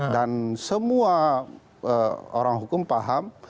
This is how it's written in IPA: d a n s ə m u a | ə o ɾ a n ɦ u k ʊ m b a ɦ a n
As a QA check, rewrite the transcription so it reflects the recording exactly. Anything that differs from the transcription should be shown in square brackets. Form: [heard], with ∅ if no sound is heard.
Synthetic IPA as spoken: d a n s ə m u a | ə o ɾ a [ŋ] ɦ u k ʊ m [p] a ɦ a [m]

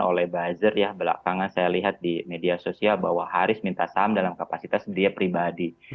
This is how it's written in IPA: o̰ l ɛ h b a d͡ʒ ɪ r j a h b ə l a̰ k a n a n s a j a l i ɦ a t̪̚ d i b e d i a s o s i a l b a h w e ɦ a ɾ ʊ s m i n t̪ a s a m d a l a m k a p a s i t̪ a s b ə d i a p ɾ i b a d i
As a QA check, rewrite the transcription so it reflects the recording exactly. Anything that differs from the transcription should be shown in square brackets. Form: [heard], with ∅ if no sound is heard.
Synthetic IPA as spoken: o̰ l ɛ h b a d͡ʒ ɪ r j a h b ə l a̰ k a [ŋ] a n s a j a l i ɦ a t̪̚ d i [m] e d i a s o s i a l b a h w [a] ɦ a ɾ ʊ s m i n t̪ a s a m d a l a m k a p a s i t̪ a s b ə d i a p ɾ i b a d i

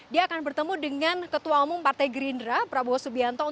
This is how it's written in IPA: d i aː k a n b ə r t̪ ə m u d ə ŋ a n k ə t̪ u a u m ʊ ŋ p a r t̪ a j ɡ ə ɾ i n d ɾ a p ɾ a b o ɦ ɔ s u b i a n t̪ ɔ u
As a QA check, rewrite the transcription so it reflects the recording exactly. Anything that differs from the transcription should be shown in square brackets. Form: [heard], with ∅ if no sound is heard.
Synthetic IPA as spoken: d i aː k a n b ə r t̪ ə m u d ə ŋ a n k ə t̪ u a u m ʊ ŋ p a r t̪ a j ɡ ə ɾ i n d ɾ a p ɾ a b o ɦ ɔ s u b i a n t̪ ɔ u

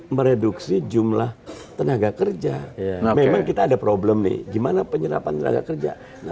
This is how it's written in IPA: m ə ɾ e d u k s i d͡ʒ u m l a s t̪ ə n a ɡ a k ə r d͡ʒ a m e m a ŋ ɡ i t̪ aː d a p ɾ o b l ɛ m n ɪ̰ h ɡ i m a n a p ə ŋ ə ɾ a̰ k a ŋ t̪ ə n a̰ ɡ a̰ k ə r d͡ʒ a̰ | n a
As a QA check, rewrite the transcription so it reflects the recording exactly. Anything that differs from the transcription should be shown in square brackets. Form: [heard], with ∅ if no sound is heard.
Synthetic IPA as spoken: m ə ɾ e d u k s i d͡ʒ u m l a [h] t̪ ə n a ɡ a k ə r d͡ʒ a m e m a ŋ [k] i t̪ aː d a p ɾ o b l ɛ m n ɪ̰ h ɡ i m a n a p ə [ɲ] ə ɾ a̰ [p] a [n] t̪ ə n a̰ ɡ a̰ k ə r d͡ʒ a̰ | n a

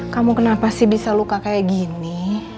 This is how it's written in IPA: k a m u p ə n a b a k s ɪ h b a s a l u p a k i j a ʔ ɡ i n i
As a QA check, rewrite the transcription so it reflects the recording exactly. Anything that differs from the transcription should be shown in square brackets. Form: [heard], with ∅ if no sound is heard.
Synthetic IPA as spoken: k a m u [k] ə n a [p] a [∅] s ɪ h b [i] s a l u [k] a k [a] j a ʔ ɡ i n i

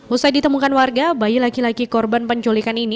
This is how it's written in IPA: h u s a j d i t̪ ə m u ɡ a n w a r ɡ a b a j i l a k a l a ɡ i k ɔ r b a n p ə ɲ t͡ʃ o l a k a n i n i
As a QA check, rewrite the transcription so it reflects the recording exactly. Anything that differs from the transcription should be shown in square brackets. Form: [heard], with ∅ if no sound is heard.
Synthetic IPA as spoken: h u s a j d i t̪ ə m u [k] a n w a r ɡ a b a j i l a k [i] l a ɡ i k ɔ r b a n p ə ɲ t͡ʃ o l [i] k a n i n i

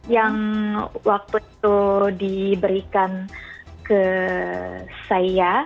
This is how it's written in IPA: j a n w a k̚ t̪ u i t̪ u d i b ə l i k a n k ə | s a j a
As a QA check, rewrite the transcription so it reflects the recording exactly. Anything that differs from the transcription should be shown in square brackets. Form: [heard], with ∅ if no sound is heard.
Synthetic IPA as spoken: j a [ŋ] w a k̚ t̪ u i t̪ u d i b ə [ɾ] i k a n k ə | s a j a

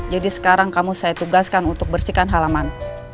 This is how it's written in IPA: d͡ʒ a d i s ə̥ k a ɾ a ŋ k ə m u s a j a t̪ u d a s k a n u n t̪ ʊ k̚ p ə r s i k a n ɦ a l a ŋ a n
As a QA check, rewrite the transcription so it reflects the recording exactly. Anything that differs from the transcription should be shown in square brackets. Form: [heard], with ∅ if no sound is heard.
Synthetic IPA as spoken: d͡ʒ a d i s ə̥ k a ɾ a ŋ k [a] m u s a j a t̪ u [ɡ] a s k a n u n t̪ ʊ k̚ [b] ə r s i k a n ɦ a l a [m] a n

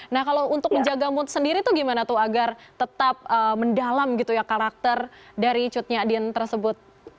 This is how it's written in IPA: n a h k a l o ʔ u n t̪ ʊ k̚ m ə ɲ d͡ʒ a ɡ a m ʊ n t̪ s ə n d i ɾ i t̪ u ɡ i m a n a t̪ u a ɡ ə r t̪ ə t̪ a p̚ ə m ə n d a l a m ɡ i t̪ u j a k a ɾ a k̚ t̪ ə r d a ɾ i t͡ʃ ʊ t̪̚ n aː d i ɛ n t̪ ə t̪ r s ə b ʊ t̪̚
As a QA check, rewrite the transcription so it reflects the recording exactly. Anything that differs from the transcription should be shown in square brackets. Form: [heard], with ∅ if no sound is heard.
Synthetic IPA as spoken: n a h k a l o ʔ u n t̪ ʊ k̚ m ə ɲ d͡ʒ a ɡ a m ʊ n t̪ s ə n d i ɾ i t̪ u ɡ i m a n a t̪ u a ɡ [a] r t̪ ə t̪ a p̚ ə m ə n d a l a m ɡ i t̪ u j a k a ɾ a k̚ t̪ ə r d a ɾ i t͡ʃ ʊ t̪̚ [ɲ] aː d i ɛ n t̪ ə [∅] r s ə b ʊ t̪̚

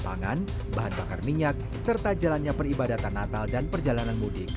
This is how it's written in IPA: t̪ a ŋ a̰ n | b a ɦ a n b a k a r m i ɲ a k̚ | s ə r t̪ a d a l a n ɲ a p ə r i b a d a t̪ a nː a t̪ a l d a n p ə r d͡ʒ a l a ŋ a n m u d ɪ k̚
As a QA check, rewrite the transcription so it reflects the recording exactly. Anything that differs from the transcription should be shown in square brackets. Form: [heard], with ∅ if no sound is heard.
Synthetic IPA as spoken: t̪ a ŋ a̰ n | b a ɦ a n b a k a r m i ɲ a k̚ | s ə r t̪ a [d͡ʒ] a l a n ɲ a p ə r i b a d a t̪ a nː a t̪ a l d a n p ə r d͡ʒ a l a [n] a n m u d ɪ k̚

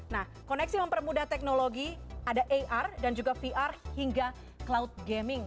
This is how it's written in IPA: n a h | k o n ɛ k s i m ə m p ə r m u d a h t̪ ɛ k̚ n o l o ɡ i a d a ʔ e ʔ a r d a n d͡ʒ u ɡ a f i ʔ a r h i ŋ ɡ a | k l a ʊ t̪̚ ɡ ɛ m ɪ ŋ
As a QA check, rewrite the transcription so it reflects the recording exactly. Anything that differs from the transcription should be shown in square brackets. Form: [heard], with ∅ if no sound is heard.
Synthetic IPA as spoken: n a h | k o n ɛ k s i m ə m p ə r m u d a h t̪ ɛ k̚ n o l o ɡ i a d a ʔ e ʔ a r d a n d͡ʒ u ɡ a f i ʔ a r h i ŋ ɡ a | k l a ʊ t̪̚ ɡ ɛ m ɪ ŋ

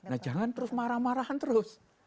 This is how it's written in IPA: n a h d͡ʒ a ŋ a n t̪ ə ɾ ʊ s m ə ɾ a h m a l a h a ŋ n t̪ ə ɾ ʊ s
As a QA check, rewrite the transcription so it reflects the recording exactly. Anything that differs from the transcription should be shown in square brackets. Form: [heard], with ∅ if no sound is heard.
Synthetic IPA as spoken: n a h d͡ʒ a ŋ a n t̪ ə ɾ ʊ s m [a] ɾ a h m a [ɾ] a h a [∅] n t̪ ə ɾ ʊ s

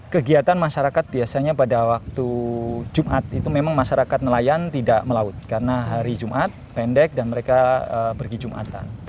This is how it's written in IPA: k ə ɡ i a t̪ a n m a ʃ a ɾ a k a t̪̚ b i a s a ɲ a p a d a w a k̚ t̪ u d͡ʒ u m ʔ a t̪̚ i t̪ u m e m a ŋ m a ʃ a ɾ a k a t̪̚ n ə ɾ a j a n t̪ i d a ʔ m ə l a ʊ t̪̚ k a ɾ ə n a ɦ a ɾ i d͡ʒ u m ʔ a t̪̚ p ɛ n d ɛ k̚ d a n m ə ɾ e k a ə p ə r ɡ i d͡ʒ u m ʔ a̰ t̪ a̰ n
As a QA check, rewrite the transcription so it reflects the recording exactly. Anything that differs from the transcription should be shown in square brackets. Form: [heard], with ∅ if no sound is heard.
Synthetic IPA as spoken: k ə ɡ i a t̪ a n m a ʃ a ɾ a k a t̪̚ b i a s a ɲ a p a d a w a k̚ t̪ u d͡ʒ u m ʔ a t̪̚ i t̪ u m e m a ŋ m a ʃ a ɾ a k a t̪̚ n ə [l] a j a n t̪ i d a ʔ m ə l a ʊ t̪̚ k a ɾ ə n a ɦ a ɾ i d͡ʒ u m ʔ a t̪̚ p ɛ n d ɛ k̚ d a n m ə ɾ e k a ə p ə r ɡ i d͡ʒ u m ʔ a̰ t̪ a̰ n

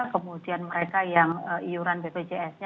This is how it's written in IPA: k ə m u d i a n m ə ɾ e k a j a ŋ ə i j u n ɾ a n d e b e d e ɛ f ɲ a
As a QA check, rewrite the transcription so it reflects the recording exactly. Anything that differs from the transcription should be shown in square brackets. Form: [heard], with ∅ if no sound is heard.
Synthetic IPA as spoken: k ə m u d i a n m ə ɾ e k a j a ŋ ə i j u [∅] ɾ a n [b] e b e [d͡ʒ] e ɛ [s] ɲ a

